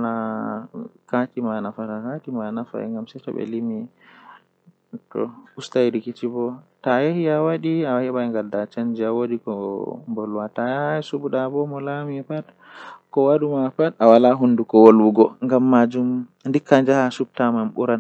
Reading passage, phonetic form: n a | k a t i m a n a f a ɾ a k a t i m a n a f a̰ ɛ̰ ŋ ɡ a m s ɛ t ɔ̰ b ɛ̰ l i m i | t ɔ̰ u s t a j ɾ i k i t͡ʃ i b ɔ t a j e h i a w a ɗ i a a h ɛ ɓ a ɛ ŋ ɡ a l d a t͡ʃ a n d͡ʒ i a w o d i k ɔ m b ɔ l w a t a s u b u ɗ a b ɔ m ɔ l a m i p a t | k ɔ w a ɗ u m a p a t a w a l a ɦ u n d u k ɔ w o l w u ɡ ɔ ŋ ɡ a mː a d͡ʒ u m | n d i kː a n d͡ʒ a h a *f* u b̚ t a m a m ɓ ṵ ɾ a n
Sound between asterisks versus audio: incorrect: s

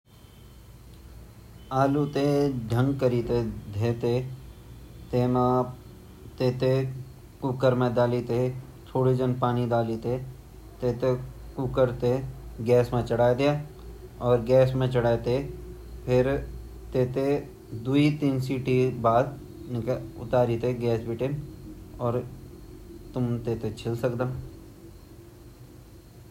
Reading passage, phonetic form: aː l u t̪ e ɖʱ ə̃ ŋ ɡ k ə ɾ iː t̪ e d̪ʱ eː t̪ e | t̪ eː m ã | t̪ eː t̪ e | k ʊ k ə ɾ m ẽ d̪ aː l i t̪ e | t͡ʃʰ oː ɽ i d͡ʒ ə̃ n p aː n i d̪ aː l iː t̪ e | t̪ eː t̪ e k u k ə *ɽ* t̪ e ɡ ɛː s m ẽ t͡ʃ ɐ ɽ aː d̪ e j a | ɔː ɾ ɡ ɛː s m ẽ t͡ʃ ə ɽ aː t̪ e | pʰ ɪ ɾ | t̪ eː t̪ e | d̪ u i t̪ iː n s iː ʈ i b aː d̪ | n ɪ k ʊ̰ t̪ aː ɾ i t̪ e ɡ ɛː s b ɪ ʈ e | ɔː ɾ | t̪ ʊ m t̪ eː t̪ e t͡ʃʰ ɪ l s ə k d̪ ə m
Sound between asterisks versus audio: incorrect: ɾ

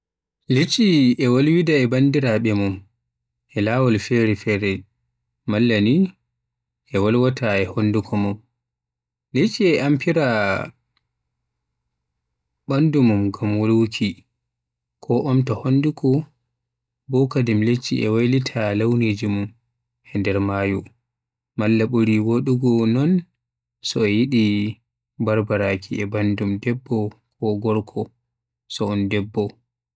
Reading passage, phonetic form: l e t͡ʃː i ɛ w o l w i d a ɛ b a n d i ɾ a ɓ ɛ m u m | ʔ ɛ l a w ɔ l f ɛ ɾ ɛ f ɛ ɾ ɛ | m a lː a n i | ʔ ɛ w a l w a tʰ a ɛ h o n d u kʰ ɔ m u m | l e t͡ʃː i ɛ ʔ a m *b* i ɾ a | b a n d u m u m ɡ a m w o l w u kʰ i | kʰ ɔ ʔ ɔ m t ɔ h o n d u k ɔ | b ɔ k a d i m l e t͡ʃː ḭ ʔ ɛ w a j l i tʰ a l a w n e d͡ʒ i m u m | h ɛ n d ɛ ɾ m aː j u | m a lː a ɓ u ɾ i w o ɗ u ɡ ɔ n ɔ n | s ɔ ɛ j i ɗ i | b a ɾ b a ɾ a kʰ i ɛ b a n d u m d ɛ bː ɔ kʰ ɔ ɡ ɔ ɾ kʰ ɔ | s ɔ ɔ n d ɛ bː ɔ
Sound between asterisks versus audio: incorrect: p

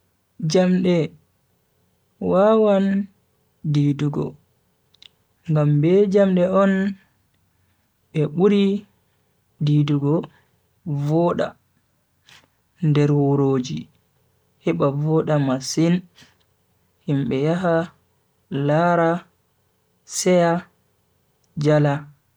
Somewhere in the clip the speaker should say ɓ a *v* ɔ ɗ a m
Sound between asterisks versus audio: correct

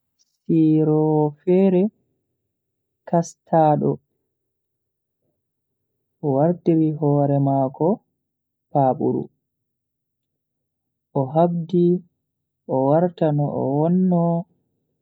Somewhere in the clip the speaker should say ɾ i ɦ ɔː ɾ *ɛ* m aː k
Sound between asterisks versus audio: correct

